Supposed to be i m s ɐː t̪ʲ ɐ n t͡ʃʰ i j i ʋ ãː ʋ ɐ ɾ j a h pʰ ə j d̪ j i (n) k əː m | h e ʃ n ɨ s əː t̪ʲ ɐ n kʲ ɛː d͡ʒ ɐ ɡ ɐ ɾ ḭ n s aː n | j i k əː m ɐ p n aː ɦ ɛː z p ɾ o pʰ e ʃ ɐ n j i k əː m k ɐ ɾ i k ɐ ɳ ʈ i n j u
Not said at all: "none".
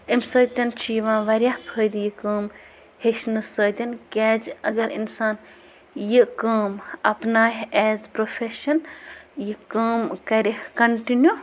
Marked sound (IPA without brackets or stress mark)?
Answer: none